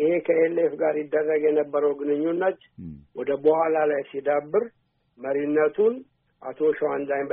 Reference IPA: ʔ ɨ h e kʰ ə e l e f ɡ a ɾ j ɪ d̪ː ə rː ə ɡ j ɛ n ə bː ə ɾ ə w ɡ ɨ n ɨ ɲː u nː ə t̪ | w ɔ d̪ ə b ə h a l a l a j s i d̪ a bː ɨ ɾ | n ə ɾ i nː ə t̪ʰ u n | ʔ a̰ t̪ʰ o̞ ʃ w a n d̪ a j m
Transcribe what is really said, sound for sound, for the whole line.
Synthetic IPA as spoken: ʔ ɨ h e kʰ ə e l e f ɡ a ɾ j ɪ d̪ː ə rː ə ɡ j ɛ n ə bː ə ɾ ə w ɡ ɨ n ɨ ɲː u nː ə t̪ | w ɔ d̪ ə b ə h a l a l a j s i d̪ a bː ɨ ɾ | m ə ɾ i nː ə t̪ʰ u n | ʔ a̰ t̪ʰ o̞ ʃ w a n d̪ a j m